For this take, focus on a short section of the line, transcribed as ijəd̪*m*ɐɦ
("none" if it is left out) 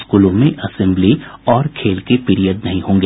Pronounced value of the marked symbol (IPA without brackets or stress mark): n